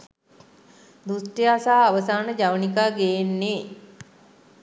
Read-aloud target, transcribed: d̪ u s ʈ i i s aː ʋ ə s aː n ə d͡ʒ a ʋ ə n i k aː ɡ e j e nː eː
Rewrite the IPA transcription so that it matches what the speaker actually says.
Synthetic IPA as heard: d̪ u s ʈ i a s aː ʋ ə s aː n ə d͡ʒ a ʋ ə n i k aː ɡ e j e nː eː